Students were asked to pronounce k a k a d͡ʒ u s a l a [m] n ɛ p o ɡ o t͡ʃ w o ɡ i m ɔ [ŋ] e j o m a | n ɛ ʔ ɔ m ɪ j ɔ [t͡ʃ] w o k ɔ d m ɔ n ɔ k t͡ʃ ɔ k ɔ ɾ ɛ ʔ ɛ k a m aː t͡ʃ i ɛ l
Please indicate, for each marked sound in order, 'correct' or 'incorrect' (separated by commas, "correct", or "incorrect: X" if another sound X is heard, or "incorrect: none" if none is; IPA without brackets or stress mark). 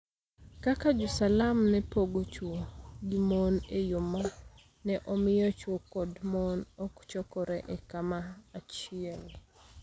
correct, incorrect: n, correct